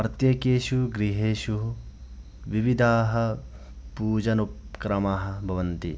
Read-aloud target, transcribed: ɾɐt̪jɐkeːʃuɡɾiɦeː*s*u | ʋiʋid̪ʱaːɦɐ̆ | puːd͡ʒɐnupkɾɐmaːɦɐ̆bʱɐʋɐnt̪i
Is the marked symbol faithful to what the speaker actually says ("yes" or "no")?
no